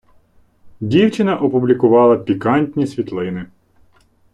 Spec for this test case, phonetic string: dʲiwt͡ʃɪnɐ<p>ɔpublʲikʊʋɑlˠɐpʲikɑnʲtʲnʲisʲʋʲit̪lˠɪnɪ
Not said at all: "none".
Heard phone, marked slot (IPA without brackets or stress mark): ʔ